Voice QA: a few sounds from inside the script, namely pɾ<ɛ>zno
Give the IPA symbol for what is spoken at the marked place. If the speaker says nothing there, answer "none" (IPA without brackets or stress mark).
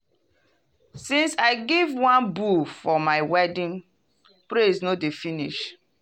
e